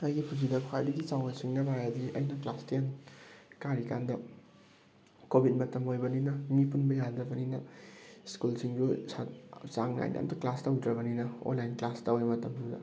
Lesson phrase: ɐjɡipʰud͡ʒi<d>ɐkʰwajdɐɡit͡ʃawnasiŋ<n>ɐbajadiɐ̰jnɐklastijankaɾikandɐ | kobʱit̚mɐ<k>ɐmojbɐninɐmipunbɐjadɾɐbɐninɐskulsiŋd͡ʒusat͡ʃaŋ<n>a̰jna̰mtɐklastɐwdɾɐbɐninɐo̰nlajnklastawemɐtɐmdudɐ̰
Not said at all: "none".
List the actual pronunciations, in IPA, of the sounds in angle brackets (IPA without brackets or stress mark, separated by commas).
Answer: d, n, t, n